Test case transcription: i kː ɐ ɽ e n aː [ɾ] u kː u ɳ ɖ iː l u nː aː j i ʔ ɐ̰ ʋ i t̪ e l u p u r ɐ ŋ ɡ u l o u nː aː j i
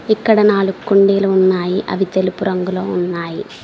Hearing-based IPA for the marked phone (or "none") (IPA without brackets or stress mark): ɭ